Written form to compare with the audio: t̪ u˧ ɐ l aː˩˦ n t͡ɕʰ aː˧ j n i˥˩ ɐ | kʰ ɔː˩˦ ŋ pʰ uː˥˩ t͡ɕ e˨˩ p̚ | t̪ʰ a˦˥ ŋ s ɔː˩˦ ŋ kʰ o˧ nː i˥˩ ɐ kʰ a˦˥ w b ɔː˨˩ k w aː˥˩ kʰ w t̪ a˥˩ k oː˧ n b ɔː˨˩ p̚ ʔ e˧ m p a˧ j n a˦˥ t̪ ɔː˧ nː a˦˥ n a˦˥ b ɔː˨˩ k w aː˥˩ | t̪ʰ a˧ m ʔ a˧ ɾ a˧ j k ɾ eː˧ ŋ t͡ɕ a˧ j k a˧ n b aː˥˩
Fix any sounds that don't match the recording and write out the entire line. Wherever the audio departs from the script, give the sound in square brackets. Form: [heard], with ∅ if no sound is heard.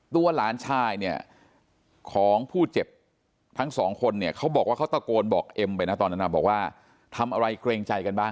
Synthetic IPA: t̪ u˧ ɐ l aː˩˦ n t͡ɕʰ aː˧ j n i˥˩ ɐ | kʰ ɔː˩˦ ŋ pʰ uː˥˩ t͡ɕ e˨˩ p̚ | t̪ʰ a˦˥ ŋ s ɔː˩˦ ŋ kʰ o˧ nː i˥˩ ɐ kʰ a˦˥ w b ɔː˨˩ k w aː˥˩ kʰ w t̪ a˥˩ k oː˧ n b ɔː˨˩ [k̚] ʔ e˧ m p a˧ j n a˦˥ t̪ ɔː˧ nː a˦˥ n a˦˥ b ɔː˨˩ k w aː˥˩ | t̪ʰ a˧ m ʔ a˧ ɾ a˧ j k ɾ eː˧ ŋ t͡ɕ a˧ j k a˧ n b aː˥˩